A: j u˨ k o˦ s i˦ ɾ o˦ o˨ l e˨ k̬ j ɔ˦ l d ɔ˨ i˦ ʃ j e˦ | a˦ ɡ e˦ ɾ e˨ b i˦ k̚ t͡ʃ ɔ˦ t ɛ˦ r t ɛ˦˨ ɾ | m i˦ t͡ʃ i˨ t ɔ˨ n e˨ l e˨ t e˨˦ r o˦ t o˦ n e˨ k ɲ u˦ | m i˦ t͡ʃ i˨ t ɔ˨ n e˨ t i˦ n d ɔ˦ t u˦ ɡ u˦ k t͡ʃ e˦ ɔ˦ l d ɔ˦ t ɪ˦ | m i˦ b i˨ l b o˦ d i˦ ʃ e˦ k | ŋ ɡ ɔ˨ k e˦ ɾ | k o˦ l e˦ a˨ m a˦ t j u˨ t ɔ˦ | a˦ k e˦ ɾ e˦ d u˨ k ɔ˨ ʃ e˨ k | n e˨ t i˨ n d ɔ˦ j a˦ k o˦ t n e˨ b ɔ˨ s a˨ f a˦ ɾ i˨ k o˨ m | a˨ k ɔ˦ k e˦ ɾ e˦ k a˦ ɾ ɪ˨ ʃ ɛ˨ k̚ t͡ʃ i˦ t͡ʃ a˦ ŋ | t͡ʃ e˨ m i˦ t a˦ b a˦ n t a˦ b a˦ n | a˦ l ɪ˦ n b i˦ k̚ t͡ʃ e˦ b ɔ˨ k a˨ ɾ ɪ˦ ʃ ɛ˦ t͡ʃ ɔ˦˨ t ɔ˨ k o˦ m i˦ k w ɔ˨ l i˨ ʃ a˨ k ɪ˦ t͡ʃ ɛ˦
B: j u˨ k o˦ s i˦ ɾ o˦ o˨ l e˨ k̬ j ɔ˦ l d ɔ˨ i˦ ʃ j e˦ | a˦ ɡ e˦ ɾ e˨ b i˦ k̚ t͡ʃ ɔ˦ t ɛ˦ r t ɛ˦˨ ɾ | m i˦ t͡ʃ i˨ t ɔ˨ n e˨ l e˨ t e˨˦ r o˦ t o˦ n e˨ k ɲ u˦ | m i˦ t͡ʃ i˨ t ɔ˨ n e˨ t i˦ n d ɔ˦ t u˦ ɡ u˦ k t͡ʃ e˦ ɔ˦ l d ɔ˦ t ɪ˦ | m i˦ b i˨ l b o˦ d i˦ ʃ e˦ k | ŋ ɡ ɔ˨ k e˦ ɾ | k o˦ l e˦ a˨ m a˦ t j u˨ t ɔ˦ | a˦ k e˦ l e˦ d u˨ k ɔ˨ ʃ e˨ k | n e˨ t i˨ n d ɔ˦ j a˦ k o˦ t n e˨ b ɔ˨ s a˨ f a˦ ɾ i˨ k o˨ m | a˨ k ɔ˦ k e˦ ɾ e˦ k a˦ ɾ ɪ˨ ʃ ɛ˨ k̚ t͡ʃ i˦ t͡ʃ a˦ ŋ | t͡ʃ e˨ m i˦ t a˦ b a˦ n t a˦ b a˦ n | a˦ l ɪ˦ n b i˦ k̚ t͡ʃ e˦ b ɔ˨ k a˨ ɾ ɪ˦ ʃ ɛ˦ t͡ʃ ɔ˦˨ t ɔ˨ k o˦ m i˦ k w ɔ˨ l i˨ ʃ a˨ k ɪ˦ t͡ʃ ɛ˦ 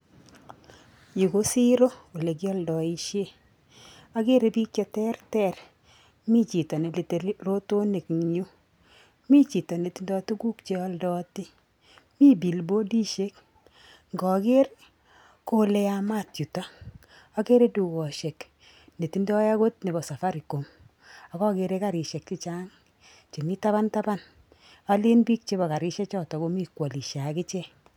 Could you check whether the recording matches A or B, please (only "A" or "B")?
A